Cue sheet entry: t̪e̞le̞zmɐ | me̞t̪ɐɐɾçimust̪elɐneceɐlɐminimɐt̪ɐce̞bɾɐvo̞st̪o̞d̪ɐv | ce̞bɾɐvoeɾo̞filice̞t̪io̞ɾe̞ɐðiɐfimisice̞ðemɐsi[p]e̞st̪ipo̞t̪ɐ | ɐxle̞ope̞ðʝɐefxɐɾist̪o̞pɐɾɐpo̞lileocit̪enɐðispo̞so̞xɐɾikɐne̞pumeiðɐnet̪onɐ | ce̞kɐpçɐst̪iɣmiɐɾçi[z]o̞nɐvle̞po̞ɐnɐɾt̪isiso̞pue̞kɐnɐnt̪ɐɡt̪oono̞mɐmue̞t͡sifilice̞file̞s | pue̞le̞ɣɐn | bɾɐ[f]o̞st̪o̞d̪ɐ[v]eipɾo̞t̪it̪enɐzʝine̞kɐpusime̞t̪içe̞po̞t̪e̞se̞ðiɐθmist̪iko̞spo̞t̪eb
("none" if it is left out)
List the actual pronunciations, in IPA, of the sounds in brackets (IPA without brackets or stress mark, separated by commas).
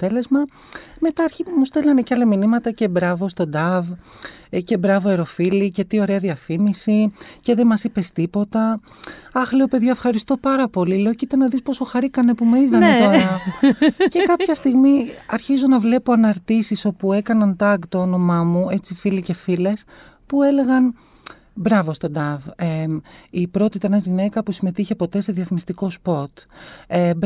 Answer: p, z, v, v